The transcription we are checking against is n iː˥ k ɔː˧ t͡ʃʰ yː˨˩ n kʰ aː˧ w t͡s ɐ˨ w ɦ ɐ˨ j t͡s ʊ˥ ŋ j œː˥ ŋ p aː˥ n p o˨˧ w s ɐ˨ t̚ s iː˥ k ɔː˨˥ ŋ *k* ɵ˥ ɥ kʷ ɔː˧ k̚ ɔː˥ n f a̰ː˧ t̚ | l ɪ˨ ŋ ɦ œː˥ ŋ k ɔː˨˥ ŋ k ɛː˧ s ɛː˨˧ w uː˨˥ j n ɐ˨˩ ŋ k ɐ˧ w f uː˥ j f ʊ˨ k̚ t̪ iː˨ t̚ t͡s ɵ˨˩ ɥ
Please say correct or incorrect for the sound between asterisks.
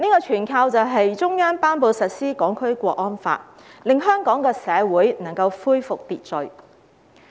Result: incorrect